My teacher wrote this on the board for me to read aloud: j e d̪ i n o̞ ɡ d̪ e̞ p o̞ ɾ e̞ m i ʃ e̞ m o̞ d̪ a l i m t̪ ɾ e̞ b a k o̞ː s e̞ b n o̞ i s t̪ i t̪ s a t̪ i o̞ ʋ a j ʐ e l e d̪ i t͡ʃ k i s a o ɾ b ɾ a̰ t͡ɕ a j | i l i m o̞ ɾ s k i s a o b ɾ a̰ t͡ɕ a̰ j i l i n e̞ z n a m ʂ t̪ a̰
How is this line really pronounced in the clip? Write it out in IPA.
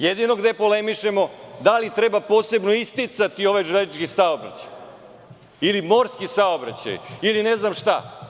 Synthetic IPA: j e d̪ i n o̞ ɡ d̪ e̞ p o̞ l e̞ m i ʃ e̞ m o̞ d̪ a l i t̪ ɾ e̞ b a p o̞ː s e̞ b n o̞ i s t̪ i t̪ s a t̪ i o̞ ʋ a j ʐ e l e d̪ i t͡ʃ k i s a o b ɾ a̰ t͡ɕ a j | i l i m o̞ ɾ s k i s a o b ɾ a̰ t͡ɕ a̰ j i l i n e̞ z n a m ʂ t̪ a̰